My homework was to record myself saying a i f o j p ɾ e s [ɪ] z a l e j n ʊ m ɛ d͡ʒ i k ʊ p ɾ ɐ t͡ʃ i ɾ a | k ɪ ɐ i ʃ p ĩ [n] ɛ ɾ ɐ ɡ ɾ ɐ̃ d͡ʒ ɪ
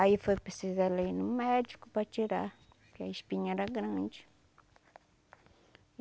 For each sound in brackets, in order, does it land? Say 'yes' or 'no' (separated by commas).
no, no